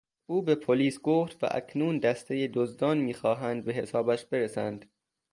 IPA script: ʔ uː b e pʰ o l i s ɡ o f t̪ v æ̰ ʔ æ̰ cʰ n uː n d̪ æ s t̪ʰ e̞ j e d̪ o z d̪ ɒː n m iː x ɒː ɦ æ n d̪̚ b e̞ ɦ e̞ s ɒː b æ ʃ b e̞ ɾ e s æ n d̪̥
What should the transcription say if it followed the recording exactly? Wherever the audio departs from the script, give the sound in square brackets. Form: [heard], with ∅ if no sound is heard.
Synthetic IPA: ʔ uː b e pʰ o l [iː] s ɡ o f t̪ v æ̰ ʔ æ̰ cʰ n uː n d̪ æ s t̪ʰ e̞ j e d̪ o z d̪ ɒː n m iː x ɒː ɦ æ n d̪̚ b e̞ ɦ e̞ s ɒː b æ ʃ b e̞ ɾ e s æ n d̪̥